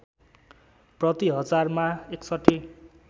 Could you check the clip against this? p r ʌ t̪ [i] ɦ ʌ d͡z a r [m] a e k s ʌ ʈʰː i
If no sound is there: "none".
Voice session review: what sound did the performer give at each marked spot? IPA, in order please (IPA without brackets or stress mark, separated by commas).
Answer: i, m